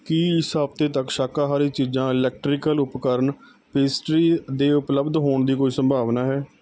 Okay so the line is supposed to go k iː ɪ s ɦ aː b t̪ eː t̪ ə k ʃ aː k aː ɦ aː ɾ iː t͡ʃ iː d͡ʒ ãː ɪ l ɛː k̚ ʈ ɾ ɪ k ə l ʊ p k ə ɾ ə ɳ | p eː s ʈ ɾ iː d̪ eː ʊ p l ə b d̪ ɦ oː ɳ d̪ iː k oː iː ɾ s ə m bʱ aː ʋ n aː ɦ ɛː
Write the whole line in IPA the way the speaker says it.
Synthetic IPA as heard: k iː ɪ s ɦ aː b t̪ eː t̪ ə k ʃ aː k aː ɦ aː ɾ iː t͡ʃ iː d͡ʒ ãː ɪ l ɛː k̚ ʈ ɾ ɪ k ə l ʊ p k ə ɾ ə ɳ | p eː s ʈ ɾ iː d̪ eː ʊ p l ə b d̪ ɦ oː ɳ d̪ iː k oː iː s ə m bʱ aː ʋ n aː ɦ ɛː